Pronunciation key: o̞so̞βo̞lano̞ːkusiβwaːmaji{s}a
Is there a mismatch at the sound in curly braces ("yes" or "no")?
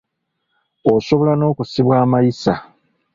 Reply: no